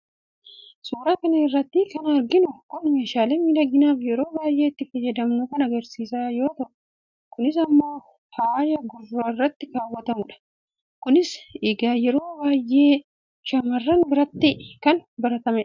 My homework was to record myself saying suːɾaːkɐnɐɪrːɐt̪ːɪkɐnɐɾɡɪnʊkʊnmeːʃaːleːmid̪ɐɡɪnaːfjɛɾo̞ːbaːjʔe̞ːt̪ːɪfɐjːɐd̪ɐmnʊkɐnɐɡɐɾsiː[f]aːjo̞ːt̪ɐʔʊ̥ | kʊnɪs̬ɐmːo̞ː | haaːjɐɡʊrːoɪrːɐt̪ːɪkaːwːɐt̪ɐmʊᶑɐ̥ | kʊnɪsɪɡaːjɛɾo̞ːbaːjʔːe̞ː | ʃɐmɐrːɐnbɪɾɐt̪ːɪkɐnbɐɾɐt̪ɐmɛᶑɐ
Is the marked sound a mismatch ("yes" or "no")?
yes